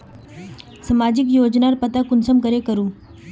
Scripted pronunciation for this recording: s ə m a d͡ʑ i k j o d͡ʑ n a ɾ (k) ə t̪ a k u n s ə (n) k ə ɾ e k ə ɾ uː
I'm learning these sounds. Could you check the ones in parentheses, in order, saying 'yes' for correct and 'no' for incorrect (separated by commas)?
no, no